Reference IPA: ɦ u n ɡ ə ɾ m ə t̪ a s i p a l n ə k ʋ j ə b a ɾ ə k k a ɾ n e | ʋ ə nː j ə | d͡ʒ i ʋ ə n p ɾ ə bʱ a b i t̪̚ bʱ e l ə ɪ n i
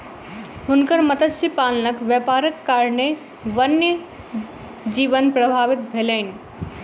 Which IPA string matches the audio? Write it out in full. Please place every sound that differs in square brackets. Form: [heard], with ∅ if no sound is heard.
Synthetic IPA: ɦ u n [k] ə ɾ m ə t̪ [ə] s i p a l n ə k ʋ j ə [p] a ɾ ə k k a ɾ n e | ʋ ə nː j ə | d͡ʒ i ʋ ə n p ɾ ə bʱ a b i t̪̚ bʱ e l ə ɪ n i